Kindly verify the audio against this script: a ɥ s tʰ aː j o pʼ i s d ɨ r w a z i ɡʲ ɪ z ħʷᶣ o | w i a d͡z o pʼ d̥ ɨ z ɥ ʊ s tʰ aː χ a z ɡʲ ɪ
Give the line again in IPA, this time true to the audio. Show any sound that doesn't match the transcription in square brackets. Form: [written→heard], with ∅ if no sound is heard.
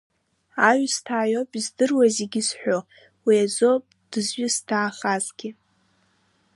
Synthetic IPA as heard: a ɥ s tʰ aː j o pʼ i [s→z] d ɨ r w a z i ɡʲ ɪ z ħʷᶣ o | w i a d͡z o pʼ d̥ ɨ z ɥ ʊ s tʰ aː χ a z ɡʲ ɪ